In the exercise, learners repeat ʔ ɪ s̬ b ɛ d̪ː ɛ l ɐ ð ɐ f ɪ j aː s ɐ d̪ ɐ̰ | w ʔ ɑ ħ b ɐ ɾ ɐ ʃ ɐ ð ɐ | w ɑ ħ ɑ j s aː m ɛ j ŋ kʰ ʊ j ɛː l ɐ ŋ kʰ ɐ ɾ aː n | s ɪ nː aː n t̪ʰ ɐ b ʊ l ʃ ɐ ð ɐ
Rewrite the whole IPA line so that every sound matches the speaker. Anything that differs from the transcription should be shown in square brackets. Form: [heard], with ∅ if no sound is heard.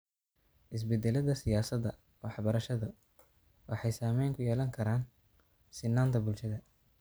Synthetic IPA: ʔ ɪ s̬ b ɛ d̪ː ɛ l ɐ ð ɐ [s] ɪ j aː s ɐ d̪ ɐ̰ | w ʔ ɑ ħ b ɐ ɾ ɐ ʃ ɐ ð ɐ | w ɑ ħ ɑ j s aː m ɛ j ŋ kʰ ʊ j ɛː l ɐ ŋ kʰ ɐ ɾ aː n | s ɪ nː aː n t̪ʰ ɐ b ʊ l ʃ ɐ ð ɐ

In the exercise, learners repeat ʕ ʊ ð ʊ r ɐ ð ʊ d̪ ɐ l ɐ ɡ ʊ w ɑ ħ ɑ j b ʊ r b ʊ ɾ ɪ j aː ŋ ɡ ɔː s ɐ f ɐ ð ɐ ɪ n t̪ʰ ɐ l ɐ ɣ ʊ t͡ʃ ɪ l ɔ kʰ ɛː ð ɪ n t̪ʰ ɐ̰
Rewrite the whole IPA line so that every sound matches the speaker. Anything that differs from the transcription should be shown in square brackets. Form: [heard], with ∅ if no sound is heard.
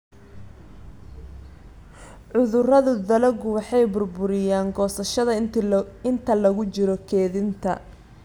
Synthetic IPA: ʕ ʊ ð ʊ r ɐ ð ʊ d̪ ɐ l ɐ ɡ ʊ w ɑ ħ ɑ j b ʊ r b ʊ ɾ ɪ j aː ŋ ɡ ɔː s ɐ [ʃ] ɐ ð ɐ ɪ n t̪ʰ ɐ l ɐ ɣ ʊ t͡ʃ ɪ [ɾ] ɔ kʰ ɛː ð ɪ n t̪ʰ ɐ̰

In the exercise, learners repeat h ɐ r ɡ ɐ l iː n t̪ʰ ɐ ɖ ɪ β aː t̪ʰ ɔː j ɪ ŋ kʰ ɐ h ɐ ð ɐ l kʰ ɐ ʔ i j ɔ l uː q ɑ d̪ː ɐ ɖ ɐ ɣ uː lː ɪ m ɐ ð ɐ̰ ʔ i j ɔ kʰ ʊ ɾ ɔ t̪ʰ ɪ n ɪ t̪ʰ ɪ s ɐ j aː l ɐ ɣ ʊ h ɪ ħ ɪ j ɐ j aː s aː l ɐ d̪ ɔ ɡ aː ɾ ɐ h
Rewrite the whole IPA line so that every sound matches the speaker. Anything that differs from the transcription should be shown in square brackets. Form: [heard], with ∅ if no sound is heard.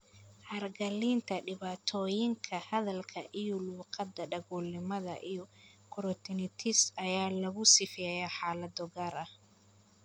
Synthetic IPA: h ɐ r ɡ ɐ l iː n t̪ʰ ɐ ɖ ɪ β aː t̪ʰ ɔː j ɪ ŋ kʰ ɐ h ɐ ð ɐ l kʰ ɐ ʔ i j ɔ l uː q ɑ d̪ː ɐ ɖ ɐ ɣ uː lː ɪ m ɐ ð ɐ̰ ʔ i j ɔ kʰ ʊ ɾ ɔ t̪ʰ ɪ n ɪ t̪ʰ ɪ s ɐ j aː l ɐ ɣ ʊ [s] ɪ [f] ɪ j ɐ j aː [ħ] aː l ɐ d̪ ɔ ɡ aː ɾ ɐ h

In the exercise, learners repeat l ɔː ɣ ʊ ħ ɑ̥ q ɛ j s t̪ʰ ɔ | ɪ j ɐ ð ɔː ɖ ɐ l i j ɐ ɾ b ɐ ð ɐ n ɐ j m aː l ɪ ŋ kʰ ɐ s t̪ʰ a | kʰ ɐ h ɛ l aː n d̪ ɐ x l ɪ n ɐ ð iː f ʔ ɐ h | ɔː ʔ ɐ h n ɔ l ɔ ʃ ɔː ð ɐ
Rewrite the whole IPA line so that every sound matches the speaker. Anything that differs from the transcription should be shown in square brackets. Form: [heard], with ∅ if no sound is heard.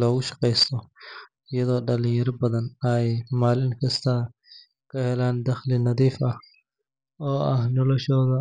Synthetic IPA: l ɔː ɣ ʊ [ʃ] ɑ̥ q ɛ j s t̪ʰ ɔ | ɪ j ɐ ð ɔː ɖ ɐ l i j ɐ ɾ b ɐ ð ɐ n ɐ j m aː l ɪ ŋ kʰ ɐ s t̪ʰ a | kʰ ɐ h ɛ l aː n d̪ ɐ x l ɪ n ɐ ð iː f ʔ ɐ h | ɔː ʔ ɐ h n ɔ l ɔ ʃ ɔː ð ɐ

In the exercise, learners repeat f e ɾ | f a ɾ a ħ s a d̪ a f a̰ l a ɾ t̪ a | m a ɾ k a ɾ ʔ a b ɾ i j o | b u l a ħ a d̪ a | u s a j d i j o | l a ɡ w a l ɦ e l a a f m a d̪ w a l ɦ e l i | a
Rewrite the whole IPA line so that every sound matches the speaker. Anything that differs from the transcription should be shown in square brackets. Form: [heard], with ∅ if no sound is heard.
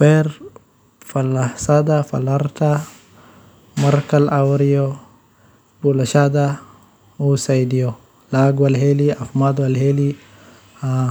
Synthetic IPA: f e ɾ | f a [l] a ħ s a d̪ a f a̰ l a ɾ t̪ a | m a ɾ k a [l] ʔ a [w] ɾ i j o | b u l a [ʃ] a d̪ a | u s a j d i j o | l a ɡ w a l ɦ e l [i] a f m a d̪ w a l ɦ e l i | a

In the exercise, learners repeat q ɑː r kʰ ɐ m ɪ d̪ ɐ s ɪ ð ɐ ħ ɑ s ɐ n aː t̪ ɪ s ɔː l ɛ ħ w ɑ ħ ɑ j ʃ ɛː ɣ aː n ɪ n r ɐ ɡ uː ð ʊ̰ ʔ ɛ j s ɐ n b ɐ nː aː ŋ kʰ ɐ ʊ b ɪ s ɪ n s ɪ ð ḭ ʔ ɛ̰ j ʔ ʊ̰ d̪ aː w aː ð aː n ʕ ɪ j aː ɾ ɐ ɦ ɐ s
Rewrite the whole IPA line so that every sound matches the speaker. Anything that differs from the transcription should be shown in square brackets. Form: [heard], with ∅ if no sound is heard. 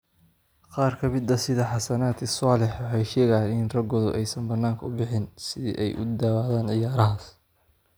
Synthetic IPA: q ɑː r kʰ ɐ m ɪ d̪ ɐ s ɪ ð ɐ ħ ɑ s ɐ n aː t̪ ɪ s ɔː l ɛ ħ w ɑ ħ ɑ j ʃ ɛː ɣ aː n ɪ n r ɐ ɡ [ɔː] ð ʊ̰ ʔ ɛ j s ɐ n b ɐ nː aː ŋ kʰ ɐ ʊ b ɪ [ħ] ɪ n s ɪ ð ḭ ʔ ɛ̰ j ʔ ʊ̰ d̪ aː w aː ð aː n ʕ ɪ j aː ɾ ɐ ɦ ɐ s

